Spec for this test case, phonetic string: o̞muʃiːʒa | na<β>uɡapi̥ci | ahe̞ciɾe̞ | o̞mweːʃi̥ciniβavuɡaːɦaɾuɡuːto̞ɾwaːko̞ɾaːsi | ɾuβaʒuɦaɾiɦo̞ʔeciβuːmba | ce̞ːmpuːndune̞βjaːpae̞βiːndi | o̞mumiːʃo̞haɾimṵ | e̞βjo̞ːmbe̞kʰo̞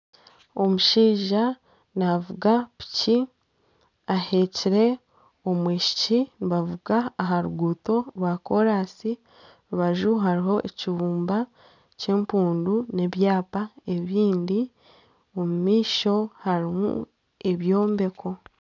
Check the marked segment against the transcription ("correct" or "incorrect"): incorrect